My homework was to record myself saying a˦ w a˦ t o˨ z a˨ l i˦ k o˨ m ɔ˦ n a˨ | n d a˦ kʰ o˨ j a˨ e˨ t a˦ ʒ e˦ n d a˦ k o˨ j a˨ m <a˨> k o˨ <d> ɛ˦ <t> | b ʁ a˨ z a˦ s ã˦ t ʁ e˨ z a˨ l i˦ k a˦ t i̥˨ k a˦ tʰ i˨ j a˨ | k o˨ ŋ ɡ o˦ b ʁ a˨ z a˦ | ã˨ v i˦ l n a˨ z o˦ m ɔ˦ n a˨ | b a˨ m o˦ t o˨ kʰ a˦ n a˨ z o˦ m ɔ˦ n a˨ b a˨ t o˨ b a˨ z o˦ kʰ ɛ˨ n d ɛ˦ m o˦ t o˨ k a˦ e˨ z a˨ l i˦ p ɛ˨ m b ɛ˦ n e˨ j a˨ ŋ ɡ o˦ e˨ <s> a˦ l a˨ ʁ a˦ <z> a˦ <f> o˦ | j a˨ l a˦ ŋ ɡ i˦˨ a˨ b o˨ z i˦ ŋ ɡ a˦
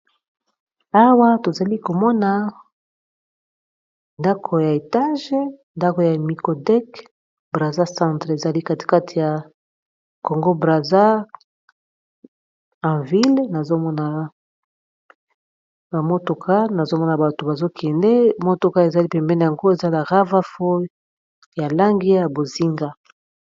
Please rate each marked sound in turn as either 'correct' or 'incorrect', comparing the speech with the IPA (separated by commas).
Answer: incorrect, correct, incorrect, incorrect, incorrect, correct